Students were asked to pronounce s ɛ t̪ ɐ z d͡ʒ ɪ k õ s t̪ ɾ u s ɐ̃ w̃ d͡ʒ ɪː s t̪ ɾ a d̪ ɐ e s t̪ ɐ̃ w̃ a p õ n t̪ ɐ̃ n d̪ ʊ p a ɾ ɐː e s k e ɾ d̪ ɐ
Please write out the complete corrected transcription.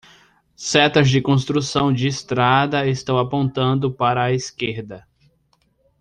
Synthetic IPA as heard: s ɛ t̪ ɐ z d͡ʒ ɪ k õ s t̪ ɾ u s ɐ̃ w̃ d͡ʒ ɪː s t̪ ɾ a d̪ ɐ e s t̪ ɐ̃ w̃ a p õ n t̪ ɐ̃ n d̪ ʊ p a ɾ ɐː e s k e ɾ d̪ ɐ